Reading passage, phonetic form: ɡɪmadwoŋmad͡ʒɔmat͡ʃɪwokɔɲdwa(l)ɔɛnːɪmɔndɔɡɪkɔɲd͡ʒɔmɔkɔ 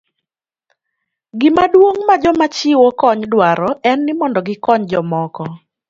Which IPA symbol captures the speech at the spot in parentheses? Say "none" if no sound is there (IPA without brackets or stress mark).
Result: ɾ